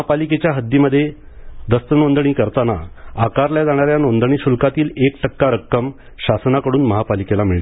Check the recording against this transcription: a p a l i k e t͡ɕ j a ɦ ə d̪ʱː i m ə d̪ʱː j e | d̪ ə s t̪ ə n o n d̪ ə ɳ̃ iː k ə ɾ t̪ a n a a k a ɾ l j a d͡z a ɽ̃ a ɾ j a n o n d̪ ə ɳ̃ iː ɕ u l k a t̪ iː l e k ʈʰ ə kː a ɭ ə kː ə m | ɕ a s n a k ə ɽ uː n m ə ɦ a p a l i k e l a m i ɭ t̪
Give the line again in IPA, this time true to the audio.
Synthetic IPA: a p a l i k e t͡ɕ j a ɦ ə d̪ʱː i m ə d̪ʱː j e | d̪ ə s t̪ ə n o n d̪ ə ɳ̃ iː k ə ɾ t̪ a n a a k a ɾ l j a d͡z a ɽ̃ a ɾ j a n o n d̪ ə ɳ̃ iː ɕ u l k a t̪ iː l e k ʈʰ ə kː a ɾ ə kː ə m | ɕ a s n a k ə ɽ uː n m ə ɦ a p a l i k e l a m i ɭ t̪